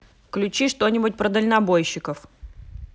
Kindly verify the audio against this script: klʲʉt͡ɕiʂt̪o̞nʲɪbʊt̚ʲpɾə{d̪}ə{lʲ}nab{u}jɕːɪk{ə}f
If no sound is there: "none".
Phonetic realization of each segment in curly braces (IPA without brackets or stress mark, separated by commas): d̪, lʲ, o, ə